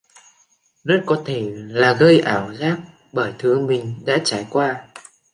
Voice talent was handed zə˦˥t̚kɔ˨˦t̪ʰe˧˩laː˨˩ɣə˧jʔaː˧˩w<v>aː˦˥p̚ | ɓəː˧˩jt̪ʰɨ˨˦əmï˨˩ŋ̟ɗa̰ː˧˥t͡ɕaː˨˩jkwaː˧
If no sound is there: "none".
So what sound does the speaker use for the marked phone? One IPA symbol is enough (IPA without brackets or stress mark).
z